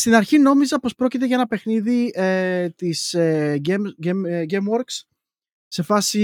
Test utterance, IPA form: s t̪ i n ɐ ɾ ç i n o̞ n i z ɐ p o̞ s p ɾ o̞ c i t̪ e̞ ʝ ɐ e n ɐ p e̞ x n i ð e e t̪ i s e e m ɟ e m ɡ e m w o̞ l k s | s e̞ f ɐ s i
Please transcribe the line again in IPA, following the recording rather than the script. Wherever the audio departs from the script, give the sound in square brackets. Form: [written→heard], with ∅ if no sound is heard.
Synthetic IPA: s t̪ i n ɐ ɾ ç i n o̞ [n→m] i z ɐ p o̞ s p ɾ o̞ c i t̪ e̞ ʝ ɐ e n ɐ p e̞ x n i ð [e→i] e t̪ i s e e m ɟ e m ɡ e m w o̞ [l→ɾ] k s | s e̞ f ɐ s i